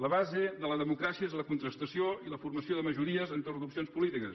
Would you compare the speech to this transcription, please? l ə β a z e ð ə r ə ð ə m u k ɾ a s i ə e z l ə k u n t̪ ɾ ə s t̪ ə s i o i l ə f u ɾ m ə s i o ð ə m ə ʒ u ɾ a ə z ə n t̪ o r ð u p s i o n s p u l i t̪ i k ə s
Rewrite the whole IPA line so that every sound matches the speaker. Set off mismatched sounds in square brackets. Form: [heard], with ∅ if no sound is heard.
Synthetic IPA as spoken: l ə β a z e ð ə [l] ə ð ə m u k ɾ a s i ə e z l ə k u n t̪ ɾ ə s t̪ ə s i o i l ə f u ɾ m ə s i o ð ə m ə ʒ u ɾ [i] ə z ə n t̪ o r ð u p s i o n s p u l i t̪ i k ə s